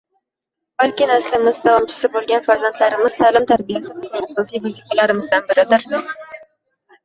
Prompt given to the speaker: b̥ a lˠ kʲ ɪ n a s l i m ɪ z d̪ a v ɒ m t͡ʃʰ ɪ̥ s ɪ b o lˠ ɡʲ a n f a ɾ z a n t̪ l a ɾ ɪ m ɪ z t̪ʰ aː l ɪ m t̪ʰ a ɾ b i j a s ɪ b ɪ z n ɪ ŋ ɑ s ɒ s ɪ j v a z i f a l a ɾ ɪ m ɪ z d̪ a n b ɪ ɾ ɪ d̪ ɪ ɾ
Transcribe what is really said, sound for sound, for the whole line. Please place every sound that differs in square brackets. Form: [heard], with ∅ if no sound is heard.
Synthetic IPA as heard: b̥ a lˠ kʲ ɪ n a s l [ɪ] m ɪ z d̪ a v ɒ m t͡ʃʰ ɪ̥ s ɪ b o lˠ ɡʲ a n f a ɾ z a n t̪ l a ɾ ɪ m ɪ z t̪ʰ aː l ɪ m t̪ʰ a ɾ b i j a s ɪ b ɪ z n ɪ ŋ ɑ s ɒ s [i] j v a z i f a l a ɾ ɪ m ɪ z d̪ a n b ɪ ɾ ɪ d̪ ɪ ɾ